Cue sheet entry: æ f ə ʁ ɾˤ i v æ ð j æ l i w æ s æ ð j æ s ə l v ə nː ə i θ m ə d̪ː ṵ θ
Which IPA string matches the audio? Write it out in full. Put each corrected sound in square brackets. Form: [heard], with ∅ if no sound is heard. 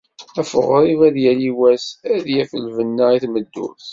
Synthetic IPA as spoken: æ f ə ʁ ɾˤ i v æ ð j æ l i w æ s æ ð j æ [f] ə l v ə nː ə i θ m ə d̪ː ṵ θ